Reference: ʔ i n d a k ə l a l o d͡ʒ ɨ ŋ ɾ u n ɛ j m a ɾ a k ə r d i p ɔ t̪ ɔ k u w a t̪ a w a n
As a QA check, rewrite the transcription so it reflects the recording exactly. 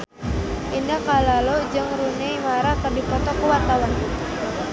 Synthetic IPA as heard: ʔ i n d a k a l a l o d͡ʒ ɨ ŋ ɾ u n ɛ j m a ɾ a k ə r d i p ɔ t̪ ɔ k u w a t̪ a w a n